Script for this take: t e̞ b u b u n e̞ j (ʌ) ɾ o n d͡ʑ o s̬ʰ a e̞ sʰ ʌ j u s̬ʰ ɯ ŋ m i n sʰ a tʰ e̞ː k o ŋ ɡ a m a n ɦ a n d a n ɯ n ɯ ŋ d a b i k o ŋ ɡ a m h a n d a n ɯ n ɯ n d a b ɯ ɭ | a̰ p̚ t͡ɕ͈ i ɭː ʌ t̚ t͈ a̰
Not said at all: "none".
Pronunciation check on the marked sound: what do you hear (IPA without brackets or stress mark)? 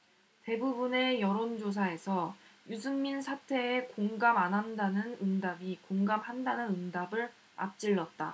ʌ